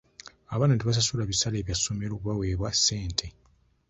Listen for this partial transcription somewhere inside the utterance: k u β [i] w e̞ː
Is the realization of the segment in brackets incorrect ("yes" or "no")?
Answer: yes